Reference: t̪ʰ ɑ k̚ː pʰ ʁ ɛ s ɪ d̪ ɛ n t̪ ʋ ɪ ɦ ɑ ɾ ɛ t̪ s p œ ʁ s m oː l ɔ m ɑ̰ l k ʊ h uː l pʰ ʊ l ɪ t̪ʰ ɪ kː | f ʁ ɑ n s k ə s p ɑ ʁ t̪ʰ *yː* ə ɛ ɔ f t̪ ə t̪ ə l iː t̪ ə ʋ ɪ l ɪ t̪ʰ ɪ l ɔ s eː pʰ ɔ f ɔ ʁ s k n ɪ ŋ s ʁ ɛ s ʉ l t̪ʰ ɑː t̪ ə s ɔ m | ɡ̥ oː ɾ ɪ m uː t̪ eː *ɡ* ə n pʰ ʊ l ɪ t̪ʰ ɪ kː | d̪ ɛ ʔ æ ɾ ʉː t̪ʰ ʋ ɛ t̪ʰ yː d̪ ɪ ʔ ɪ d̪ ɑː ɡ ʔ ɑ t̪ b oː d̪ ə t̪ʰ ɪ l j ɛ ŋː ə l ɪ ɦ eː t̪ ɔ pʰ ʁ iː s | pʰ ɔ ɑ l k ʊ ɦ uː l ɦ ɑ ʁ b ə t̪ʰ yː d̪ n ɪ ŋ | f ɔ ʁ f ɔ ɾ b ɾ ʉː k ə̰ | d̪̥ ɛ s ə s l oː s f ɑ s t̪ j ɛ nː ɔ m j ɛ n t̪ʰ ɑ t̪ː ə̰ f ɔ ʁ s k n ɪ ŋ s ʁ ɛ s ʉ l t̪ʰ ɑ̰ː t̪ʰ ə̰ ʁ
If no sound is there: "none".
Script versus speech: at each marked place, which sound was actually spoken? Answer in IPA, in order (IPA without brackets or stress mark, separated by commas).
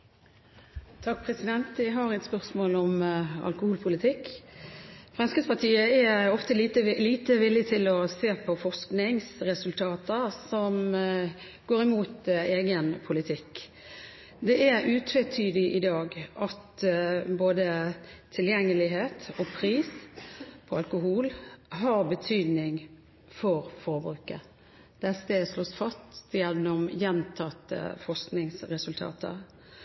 iː, ɡ